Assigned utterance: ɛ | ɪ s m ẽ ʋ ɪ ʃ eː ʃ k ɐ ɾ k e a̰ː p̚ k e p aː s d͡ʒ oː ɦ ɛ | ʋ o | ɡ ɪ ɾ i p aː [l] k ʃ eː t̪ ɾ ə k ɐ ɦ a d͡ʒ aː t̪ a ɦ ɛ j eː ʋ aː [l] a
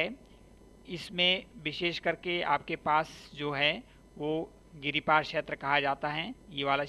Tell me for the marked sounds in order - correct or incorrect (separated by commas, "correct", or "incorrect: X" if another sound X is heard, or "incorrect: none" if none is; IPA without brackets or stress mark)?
incorrect: ɾ, correct